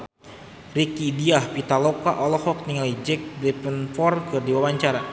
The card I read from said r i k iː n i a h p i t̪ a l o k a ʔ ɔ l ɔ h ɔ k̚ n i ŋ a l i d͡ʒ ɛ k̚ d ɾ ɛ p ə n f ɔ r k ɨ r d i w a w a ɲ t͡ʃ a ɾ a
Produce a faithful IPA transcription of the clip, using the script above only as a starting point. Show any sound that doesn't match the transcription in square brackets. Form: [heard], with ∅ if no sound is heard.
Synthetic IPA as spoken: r i k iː [d] i a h p i t̪ a l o k a ʔ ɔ l ɔ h ɔ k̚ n i ŋ a l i d͡ʒ ɛ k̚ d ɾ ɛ p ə n f ɔ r k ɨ r d i w a w a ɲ t͡ʃ a ɾ a